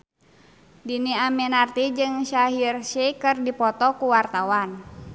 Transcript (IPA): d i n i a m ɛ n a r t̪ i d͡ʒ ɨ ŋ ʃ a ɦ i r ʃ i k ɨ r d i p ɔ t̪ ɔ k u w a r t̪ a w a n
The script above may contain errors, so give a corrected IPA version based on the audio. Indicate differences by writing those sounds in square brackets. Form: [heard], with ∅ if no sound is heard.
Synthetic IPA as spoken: d i n i a m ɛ n a r t̪ i d͡ʒ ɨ ŋ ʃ a ɦ i r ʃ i k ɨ r d i p ɔ t̪ ɔ k u w a r t̪ a w a n